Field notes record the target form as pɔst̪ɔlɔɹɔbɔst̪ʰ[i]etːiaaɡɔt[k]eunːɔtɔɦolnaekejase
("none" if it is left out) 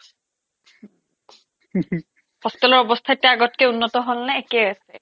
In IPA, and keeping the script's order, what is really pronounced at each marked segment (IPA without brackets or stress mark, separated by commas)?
a, k